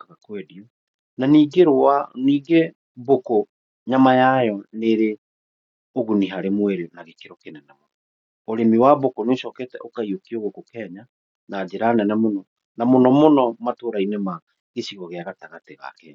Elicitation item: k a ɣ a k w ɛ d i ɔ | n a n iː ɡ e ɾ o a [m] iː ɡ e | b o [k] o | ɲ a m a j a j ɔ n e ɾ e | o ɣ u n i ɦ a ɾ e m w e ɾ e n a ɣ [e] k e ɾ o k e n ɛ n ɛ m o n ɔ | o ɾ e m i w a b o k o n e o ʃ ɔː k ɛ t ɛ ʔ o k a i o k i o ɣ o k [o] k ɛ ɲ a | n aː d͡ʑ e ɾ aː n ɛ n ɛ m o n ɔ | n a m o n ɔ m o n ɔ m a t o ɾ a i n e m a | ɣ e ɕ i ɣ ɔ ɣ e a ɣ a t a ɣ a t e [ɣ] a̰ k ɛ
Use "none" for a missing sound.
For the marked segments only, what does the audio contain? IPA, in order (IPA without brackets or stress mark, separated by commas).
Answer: n, k, e, o, ɣ